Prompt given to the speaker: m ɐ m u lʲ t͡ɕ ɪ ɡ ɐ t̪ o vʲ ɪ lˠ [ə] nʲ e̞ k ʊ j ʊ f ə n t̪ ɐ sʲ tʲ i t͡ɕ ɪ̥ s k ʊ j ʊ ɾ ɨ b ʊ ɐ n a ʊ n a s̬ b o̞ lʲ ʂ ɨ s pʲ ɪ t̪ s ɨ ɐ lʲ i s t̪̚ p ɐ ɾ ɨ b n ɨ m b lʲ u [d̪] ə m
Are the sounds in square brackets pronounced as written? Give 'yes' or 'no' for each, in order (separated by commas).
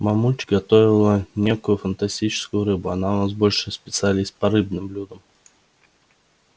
yes, yes